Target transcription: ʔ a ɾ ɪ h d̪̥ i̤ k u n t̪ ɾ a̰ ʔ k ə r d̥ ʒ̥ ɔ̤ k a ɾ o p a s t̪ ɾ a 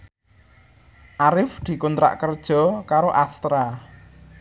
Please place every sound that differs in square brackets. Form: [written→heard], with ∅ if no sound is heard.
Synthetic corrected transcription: ʔ a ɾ ɪ [h→f] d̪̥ i̤ k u n t̪ ɾ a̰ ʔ k ə r d̥ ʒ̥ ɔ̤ k a ɾ o [p→ʔ] a s t̪ ɾ a